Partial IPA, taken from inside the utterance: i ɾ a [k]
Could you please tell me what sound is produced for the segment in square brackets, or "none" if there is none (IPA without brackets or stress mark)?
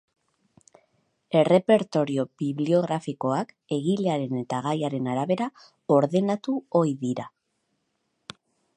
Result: none